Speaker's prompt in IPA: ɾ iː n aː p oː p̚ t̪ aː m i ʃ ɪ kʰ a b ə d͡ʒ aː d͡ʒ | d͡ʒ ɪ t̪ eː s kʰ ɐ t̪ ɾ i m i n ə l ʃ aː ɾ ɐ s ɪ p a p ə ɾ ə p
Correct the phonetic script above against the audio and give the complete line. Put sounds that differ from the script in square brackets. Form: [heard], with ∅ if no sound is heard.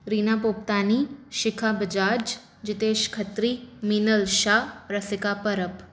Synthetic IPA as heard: ɾ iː n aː p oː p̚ t̪ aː [n] i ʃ ɪ kʰ a b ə d͡ʒ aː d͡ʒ | d͡ʒ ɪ t̪ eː [ʃ] kʰ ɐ t̪ ɾ i m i n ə l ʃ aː ɾ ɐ s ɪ [k] a p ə ɾ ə p